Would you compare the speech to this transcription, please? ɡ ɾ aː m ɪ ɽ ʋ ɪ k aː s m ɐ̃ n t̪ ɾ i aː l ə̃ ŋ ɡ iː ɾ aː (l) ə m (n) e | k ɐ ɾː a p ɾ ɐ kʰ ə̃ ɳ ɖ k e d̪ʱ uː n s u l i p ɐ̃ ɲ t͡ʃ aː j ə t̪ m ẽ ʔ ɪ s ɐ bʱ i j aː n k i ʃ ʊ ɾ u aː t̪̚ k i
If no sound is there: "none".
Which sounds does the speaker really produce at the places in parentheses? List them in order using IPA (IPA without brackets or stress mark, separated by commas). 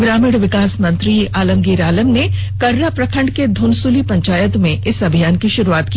l, n